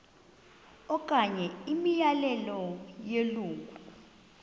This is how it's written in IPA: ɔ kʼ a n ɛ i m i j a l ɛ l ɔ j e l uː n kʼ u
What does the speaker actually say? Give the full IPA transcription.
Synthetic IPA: ɔ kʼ a ɲ ɛ i m i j a l ɛ l ɔ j e l uː ŋ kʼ u